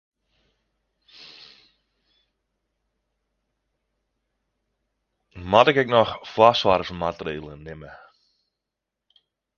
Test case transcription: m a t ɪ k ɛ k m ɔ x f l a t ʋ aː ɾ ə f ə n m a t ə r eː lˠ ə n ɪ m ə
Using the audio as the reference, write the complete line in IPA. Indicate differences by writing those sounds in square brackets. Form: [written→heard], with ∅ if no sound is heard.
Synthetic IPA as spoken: m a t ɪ k ɛ k [m→n] ɔ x f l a [t→s] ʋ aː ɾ ə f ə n m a t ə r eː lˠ ə n ɪ m ə